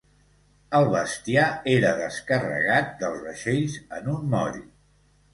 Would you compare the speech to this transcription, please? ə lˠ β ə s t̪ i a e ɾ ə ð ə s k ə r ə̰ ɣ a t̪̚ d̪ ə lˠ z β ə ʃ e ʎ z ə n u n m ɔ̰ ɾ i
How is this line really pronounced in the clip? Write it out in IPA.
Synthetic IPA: ə lˠ β ə s t̪ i a e ɾ ə ð ə s k ə r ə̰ ɣ a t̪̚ d̪ ə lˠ z β ə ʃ e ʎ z ə n u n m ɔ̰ ɾ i